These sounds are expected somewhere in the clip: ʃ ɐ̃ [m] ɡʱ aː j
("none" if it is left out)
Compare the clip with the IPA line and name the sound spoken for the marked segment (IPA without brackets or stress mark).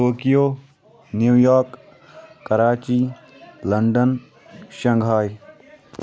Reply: ŋ